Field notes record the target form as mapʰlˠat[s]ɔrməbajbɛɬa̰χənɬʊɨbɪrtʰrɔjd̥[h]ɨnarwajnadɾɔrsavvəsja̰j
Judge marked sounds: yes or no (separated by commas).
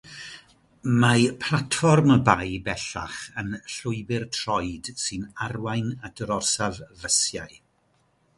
no, no